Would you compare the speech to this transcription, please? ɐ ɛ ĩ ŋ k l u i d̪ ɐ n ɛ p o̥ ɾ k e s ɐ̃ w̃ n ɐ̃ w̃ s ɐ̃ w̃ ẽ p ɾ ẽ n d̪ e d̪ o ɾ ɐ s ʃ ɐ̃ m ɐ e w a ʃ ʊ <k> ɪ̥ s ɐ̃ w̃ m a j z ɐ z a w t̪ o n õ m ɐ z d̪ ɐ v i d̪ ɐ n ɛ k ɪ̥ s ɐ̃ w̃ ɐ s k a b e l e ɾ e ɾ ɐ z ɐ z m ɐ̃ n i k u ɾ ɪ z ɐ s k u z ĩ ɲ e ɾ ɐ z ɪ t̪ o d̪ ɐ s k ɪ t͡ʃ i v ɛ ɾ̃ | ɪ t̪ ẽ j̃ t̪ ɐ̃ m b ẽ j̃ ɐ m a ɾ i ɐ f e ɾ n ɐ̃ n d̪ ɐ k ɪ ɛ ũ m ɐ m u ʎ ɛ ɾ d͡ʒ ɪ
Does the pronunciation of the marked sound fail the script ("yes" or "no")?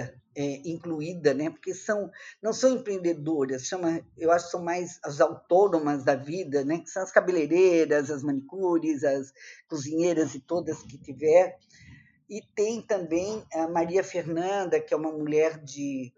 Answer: no